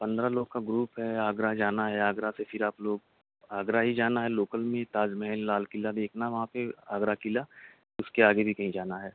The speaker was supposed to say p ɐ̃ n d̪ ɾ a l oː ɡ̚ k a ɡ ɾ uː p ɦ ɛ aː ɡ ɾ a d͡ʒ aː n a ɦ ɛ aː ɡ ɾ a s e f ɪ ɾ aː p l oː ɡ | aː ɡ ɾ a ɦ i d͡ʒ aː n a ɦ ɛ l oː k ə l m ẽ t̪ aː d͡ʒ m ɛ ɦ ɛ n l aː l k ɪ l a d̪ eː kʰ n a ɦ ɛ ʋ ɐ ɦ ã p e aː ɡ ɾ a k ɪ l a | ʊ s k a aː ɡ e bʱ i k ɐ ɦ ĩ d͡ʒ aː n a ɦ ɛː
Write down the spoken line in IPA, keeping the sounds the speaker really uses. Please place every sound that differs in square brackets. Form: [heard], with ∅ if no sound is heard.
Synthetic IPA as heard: p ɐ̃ n d̪ ɾ a l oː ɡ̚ k a ɡ ɾ uː p ɦ ɛ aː ɡ ɾ a d͡ʒ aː n a ɦ ɛ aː ɡ ɾ a s e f ɪ ɾ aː p l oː ɡ | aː ɡ ɾ a ɦ i d͡ʒ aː n a ɦ ɛ l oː k ə l m ẽ t̪ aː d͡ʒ m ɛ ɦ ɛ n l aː l k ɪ l a d̪ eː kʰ n a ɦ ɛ ʋ ɐ ɦ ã p e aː ɡ ɾ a k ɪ l a | ʊ s k [e] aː ɡ e bʱ i k ɐ ɦ ĩ d͡ʒ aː n a ɦ ɛː

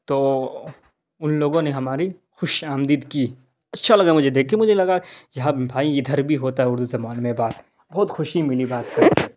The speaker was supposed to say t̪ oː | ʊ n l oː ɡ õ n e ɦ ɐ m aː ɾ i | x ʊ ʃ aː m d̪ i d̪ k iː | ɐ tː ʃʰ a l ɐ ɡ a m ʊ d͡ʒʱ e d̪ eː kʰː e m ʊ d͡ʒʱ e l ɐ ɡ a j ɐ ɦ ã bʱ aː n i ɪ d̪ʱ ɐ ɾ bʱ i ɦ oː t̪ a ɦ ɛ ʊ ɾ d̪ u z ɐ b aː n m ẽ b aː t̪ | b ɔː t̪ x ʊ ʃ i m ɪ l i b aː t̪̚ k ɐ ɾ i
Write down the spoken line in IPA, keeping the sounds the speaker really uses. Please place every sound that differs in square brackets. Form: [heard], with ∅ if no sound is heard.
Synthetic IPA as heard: t̪ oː | ʊ n l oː ɡ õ n e ɦ ɐ m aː ɾ i | x ʊ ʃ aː m d̪ i d̪ k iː | ɐ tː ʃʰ a l ɐ ɡ a m ʊ d͡ʒʱ e d̪ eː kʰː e m ʊ d͡ʒʱ e l ɐ ɡ a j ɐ ɦ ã bʱ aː [∅] i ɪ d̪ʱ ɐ ɾ bʱ i ɦ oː t̪ a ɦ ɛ ʊ ɾ d̪ u z ɐ [m] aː n m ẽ b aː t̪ | b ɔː t̪ x ʊ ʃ i m ɪ l i b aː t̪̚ k ɐ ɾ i

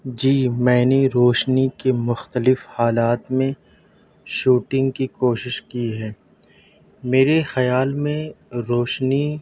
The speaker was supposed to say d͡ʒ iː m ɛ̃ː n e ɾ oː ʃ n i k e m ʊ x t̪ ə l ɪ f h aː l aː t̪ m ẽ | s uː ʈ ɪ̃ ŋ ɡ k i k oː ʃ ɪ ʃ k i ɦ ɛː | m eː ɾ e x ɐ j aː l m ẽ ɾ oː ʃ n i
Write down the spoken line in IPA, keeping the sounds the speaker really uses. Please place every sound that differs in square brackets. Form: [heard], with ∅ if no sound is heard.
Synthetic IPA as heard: d͡ʒ iː m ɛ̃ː n e ɾ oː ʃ n i k e m ʊ x t̪ ə l ɪ f h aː l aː t̪ m ẽ | [ʃ] uː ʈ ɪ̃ ŋ ɡ k i k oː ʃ ɪ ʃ k i ɦ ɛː | m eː ɾ e x ɐ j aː l m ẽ ɾ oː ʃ n i

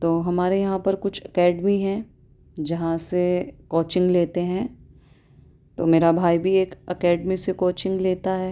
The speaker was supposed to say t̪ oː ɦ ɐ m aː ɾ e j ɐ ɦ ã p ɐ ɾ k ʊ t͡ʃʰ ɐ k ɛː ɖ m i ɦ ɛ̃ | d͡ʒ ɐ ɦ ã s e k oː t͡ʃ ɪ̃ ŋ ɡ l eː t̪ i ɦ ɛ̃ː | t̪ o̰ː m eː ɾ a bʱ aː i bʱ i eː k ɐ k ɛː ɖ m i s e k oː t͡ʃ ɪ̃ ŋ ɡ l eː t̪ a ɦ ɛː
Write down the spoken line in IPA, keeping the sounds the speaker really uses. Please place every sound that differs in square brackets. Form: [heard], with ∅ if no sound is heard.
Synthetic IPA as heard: t̪ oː ɦ ɐ m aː ɾ e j ɐ ɦ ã p ɐ ɾ k ʊ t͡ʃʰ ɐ k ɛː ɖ m i ɦ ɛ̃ | d͡ʒ ɐ ɦ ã s e k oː t͡ʃ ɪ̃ ŋ ɡ l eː t̪ [e] ɦ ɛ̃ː | t̪ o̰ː m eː ɾ a bʱ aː i bʱ i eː k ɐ k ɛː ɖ m i s e k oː t͡ʃ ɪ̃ ŋ ɡ l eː t̪ a ɦ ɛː

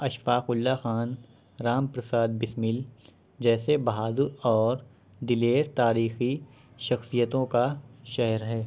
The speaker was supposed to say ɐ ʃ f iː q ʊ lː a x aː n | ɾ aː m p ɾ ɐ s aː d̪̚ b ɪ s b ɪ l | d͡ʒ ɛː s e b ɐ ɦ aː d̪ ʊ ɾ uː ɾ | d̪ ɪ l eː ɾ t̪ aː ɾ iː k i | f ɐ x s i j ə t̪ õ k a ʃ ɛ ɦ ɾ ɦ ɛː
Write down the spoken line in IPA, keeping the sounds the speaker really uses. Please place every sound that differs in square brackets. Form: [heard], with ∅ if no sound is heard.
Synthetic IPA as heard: ɐ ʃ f [aː] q ʊ lː a x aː n | ɾ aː m p ɾ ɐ s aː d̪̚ b ɪ s [m] ɪ l | d͡ʒ ɛː s e b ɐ ɦ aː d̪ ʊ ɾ [ɔː] ɾ | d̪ ɪ l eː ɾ t̪ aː ɾ iː [x] i | [ʃ] ɐ x s i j ə t̪ õ k a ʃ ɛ ɦ ɾ ɦ ɛː

